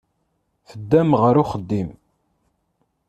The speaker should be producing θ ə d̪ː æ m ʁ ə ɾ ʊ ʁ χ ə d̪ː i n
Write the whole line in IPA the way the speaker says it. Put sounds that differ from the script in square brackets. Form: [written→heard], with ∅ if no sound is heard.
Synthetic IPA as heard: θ ə d̪ː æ m ʁ ə ɾ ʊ [ʁ→∅] χ ə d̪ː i [n→m]

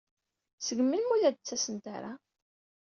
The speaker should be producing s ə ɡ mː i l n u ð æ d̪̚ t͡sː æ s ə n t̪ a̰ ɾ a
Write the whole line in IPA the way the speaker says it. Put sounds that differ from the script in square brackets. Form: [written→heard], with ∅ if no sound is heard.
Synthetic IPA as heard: s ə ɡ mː i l [n→m] u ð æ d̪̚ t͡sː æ s ə n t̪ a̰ ɾ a

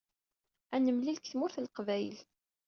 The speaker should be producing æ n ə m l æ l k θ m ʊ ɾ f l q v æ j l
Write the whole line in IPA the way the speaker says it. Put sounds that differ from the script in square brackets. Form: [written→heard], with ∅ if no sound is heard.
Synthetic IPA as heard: æ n ə m l [æ→i] l k θ m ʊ ɾ [f→θ] l q v æ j l

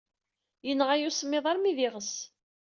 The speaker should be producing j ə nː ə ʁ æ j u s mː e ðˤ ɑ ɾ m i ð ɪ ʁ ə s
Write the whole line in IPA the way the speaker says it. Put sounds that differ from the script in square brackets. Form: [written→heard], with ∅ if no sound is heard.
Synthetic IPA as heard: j ə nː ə ʁ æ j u s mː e ðˤ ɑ ɾ m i ð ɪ ʁ ə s

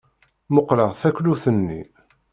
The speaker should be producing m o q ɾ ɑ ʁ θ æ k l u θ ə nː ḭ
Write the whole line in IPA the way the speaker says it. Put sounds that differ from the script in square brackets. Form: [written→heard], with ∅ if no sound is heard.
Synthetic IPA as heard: m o q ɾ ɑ ʁ θ æ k l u θ ə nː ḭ

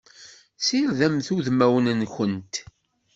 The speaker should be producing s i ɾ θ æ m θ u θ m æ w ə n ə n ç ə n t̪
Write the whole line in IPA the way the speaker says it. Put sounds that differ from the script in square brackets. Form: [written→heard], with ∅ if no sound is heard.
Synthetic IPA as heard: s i ɾ [θ→ð] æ m θ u [θ→ð] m æ w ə n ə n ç ə n t̪

